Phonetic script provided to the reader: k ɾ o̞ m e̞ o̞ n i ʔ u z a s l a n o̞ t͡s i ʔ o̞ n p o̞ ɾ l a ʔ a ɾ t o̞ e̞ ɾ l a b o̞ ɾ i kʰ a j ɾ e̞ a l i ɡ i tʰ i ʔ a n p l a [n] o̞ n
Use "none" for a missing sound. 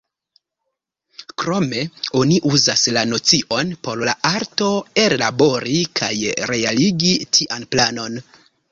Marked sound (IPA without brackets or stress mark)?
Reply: n